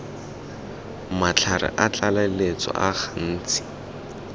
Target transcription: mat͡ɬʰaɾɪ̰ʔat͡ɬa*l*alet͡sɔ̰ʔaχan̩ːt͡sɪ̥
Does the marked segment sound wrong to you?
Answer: no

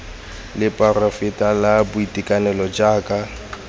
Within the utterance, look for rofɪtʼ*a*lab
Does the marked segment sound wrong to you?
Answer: no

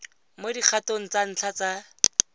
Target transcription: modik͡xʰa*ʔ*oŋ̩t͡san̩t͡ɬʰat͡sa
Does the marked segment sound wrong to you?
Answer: yes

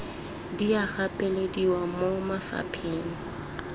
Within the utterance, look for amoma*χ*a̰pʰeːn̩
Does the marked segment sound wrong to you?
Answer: yes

